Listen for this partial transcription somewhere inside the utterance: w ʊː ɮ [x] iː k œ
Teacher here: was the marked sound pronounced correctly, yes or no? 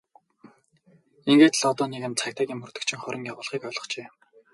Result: no